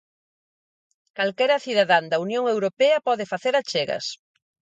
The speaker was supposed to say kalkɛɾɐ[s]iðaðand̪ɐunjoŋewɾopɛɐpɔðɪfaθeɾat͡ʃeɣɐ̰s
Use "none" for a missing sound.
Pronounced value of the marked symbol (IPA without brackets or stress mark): θ